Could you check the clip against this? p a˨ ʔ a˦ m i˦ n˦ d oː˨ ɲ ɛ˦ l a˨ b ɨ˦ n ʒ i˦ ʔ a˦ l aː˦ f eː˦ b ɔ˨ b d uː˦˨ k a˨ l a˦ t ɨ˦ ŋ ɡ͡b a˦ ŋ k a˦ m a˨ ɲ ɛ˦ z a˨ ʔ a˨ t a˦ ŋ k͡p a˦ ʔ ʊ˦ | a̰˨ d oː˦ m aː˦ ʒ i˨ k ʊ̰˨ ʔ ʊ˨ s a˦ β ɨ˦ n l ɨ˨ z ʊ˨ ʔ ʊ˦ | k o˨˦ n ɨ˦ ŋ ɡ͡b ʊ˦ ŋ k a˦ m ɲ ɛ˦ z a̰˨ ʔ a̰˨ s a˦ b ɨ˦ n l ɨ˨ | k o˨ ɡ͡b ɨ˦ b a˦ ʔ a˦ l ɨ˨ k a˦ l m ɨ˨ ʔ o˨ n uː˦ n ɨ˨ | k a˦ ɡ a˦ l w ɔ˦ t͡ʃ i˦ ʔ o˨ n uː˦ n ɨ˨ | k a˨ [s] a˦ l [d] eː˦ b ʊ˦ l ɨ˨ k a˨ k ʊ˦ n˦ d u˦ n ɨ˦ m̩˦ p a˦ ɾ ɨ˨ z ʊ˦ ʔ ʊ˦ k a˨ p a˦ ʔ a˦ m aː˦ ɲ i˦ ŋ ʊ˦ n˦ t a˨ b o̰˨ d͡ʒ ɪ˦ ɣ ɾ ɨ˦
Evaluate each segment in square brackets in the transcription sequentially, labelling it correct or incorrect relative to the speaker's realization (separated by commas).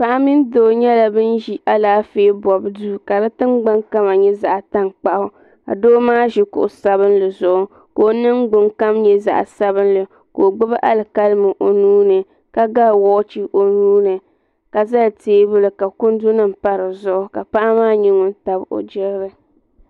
incorrect, incorrect